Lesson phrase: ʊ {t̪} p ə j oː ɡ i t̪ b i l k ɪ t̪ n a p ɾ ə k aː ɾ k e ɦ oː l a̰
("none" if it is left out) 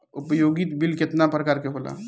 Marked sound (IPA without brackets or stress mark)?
none